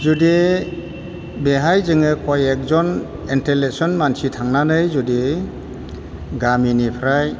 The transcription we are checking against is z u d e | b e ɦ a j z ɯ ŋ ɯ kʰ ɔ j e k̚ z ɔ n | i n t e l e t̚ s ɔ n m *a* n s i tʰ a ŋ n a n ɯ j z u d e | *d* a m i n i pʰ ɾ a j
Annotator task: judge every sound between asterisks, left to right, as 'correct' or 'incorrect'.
correct, incorrect: ɡ

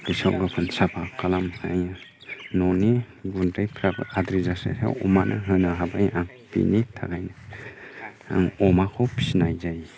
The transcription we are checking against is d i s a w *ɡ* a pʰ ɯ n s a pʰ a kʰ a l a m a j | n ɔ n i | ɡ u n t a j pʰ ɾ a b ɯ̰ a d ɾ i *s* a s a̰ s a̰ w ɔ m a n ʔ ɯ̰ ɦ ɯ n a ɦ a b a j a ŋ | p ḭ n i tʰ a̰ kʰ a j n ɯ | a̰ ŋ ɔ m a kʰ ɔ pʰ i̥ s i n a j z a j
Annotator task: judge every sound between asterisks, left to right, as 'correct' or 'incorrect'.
correct, incorrect: z

